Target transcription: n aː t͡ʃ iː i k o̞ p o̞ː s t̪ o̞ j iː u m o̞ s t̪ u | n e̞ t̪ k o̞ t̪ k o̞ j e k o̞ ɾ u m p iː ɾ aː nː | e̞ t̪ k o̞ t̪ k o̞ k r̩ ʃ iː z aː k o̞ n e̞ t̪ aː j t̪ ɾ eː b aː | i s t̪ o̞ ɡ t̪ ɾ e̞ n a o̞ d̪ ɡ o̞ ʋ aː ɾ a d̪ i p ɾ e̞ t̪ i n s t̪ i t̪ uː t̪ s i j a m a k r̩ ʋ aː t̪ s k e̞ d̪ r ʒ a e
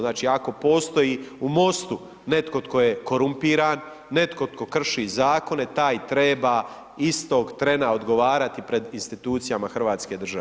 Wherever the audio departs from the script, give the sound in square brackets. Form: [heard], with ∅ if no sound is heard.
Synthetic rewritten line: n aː t͡ʃ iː [a] k o̞ p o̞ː s t̪ o̞ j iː u m o̞ s t̪ u | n e̞ t̪ k o̞ t̪ k o̞ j e k o̞ ɾ u m p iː ɾ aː nː | e̞ t̪ k o̞ t̪ k o̞ k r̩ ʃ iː z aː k o̞ n e̞ t̪ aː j t̪ ɾ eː b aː | i s t̪ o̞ ɡ t̪ ɾ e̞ n a o̞ d̪ ɡ o̞ ʋ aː ɾ a [t̪] i p ɾ e̞ [d̪] i n s t̪ i t̪ uː t̪ s i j a m a [x] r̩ ʋ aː t̪ s k e̞ d̪ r ʒ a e